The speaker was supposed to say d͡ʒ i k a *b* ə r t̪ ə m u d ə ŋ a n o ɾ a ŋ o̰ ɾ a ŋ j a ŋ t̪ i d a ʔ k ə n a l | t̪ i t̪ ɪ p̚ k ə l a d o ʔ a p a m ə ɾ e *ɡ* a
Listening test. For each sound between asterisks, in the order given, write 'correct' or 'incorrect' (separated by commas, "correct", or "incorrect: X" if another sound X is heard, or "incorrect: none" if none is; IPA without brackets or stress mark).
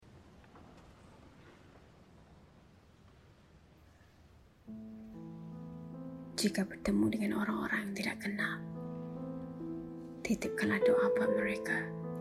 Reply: correct, incorrect: k